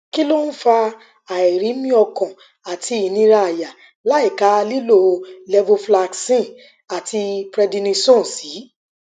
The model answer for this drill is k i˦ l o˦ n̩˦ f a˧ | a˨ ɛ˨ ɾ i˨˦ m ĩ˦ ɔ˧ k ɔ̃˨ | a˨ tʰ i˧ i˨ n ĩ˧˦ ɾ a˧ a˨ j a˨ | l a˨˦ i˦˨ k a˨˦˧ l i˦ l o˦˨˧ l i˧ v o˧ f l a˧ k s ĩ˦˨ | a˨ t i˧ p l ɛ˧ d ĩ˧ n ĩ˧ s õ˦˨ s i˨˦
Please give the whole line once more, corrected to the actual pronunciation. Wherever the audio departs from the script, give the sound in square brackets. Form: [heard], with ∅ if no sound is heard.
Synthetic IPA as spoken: k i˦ l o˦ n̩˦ f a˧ | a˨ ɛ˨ ɾ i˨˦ m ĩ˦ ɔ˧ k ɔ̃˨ | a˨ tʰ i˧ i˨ n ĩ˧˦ ɾ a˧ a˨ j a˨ | l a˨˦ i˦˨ k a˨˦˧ l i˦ l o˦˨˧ l [ɛ˧] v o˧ f l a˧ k s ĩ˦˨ | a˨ t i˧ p [ɾ] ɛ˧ d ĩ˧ n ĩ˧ s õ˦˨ s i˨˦